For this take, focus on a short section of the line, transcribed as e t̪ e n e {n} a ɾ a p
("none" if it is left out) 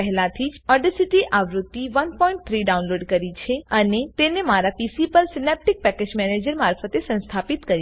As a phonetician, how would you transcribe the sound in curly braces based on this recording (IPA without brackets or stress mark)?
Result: m